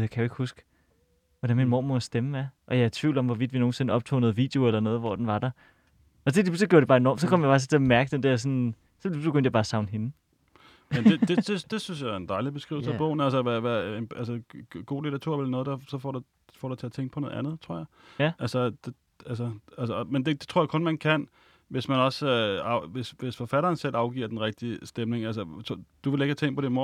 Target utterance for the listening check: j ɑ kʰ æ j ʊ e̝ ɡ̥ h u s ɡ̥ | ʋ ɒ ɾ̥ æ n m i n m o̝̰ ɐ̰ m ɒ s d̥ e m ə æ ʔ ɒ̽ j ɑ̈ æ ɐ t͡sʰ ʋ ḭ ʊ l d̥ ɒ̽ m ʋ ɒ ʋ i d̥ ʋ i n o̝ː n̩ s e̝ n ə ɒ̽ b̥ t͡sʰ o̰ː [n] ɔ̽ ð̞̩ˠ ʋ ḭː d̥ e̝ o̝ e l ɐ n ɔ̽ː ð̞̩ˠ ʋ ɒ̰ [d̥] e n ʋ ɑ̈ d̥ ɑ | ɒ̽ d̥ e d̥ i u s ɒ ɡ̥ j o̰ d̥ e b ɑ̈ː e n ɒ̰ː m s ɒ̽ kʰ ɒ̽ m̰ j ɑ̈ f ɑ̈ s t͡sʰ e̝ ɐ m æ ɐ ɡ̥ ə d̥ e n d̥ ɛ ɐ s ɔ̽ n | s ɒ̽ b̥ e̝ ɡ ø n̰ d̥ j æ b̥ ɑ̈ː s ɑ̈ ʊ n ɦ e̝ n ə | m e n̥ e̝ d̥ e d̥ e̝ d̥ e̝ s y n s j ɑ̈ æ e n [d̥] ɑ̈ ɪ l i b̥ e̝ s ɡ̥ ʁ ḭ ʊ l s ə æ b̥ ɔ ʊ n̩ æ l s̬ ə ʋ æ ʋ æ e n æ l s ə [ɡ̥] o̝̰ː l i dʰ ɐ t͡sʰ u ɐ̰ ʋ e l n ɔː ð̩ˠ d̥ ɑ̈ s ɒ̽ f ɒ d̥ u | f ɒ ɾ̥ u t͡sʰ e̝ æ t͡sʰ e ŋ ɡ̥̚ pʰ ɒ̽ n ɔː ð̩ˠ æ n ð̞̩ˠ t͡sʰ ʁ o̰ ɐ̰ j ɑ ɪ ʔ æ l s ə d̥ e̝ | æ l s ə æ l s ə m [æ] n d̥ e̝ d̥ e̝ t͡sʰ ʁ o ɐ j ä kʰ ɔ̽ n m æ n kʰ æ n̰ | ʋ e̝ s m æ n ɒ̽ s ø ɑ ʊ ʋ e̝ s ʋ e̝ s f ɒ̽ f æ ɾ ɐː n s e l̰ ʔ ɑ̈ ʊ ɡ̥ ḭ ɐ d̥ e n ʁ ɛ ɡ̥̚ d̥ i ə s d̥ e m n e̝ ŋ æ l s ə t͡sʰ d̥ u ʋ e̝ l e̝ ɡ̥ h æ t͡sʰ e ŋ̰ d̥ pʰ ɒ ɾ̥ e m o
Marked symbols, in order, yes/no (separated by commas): yes, yes, yes, yes, no